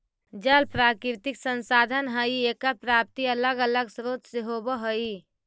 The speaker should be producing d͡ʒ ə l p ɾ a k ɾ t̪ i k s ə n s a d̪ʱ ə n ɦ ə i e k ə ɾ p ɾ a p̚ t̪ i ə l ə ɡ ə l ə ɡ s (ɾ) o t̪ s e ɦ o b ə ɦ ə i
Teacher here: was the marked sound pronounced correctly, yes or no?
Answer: yes